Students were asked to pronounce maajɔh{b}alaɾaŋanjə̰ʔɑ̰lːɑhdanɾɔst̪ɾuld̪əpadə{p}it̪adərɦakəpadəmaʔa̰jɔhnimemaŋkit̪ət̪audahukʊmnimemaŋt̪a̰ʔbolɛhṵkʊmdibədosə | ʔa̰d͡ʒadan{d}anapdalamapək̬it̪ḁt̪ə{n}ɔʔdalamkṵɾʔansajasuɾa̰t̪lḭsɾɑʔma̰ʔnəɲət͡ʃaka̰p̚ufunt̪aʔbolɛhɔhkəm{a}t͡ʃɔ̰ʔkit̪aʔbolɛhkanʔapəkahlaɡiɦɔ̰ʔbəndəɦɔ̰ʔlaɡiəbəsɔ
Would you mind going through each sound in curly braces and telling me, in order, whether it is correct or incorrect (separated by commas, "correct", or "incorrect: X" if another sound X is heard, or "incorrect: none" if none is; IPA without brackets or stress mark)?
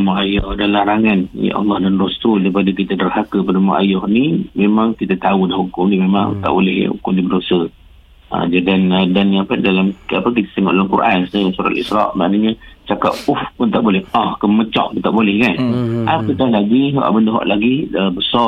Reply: incorrect: d, incorrect: k, correct, incorrect: ŋ, incorrect: ə